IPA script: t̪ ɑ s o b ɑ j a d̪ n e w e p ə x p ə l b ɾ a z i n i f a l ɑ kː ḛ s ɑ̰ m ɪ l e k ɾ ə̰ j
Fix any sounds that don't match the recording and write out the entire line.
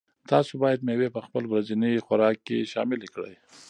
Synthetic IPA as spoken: t̪ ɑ s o b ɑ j a d̪ m e w e p ə x p ə l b ɾ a z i n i x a ɾ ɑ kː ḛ ʃ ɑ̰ m ɪ l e k ɽ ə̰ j